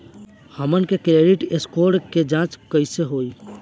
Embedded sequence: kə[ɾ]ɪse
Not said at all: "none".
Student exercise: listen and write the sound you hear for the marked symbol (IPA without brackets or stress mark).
none